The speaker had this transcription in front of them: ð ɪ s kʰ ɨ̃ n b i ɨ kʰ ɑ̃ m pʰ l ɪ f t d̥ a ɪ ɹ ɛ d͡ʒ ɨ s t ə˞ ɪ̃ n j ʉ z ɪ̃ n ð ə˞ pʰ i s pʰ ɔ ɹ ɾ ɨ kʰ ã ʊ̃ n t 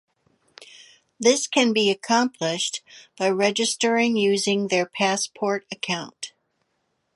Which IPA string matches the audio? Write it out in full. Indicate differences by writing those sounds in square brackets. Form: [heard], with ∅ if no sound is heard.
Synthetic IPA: ð ɪ s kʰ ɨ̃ n b i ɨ kʰ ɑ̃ m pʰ l ɪ [ʃ] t [b̥] a ɪ ɹ ɛ d͡ʒ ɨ s t ə˞ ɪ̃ [ŋ] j ʉ z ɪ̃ [ŋ] ð ə˞ pʰ [æ] s pʰ ɔ ɹ ɾ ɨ kʰ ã ʊ̃ n t